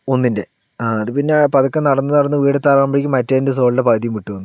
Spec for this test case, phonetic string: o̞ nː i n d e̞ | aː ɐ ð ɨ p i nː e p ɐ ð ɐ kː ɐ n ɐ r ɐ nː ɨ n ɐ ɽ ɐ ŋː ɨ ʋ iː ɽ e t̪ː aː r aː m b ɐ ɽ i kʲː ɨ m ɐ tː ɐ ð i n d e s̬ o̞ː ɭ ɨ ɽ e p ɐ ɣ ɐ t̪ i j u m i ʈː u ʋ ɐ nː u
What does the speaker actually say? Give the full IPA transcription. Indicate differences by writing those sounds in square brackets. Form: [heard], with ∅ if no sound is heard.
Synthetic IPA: o̞ nː i n d e̞ | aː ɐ ð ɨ p i nː e p ɐ ð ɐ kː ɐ n ɐ [ɽ] ɐ nː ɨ n ɐ ɽ ɐ [nː] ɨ ʋ iː ɽ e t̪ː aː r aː m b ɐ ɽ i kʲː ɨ m ɐ tː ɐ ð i n d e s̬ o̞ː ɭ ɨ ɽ e p ɐ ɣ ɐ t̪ i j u m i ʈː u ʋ ɐ nː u